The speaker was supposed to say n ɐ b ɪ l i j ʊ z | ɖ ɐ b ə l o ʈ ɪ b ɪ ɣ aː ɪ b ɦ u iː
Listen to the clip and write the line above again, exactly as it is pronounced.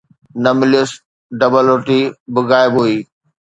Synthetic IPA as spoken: n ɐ m ɪ l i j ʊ s | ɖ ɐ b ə l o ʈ i b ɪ ɣ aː ɪ b ɦ u iː